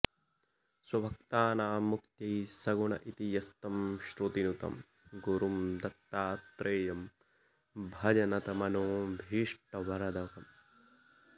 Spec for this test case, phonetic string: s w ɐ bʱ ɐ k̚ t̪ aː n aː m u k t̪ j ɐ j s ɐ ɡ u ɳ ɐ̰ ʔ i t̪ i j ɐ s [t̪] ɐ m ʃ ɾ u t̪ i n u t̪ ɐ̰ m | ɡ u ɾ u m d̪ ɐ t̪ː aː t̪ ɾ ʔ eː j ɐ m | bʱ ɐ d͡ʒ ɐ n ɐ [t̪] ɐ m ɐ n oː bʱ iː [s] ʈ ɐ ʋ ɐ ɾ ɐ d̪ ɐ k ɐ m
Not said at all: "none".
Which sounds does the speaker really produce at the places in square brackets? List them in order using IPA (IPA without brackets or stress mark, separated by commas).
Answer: t̪, t̪, ʂ